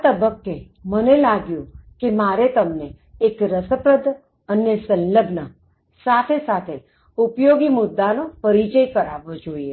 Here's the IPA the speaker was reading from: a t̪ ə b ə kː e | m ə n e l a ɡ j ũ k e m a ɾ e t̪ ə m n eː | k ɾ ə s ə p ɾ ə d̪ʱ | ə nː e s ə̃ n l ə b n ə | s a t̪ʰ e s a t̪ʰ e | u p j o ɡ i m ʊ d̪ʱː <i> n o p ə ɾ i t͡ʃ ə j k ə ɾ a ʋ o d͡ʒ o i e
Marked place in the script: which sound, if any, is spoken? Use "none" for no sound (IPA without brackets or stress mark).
a